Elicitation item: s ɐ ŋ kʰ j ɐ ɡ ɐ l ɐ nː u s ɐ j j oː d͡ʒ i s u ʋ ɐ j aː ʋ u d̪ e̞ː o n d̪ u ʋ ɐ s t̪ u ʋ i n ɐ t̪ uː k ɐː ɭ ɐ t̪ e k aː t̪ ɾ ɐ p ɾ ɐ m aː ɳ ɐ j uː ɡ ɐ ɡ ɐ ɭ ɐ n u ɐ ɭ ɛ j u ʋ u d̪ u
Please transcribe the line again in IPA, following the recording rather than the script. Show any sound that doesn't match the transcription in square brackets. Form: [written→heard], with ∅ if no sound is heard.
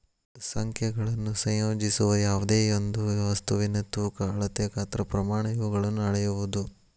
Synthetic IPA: s ɐ ŋ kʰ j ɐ ɡ ɐ [l→ɭ] ɐ nː u s ɐ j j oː d͡ʒ i s u ʋ ɐ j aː ʋ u d̪ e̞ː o n d̪ u ʋ ɐ s t̪ u ʋ i n ɐ t̪ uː k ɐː ɭ ɐ t̪ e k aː t̪ ɾ ɐ p ɾ ɐ m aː ɳ ɐ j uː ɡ ɐ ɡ ɐ ɭ ɐ [n→nː] u ɐ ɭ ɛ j u ʋ u d̪ u